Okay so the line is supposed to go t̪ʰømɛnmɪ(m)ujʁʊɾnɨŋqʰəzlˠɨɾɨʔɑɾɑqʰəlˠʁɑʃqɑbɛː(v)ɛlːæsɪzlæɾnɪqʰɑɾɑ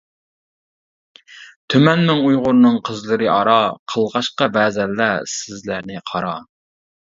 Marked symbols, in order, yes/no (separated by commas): no, no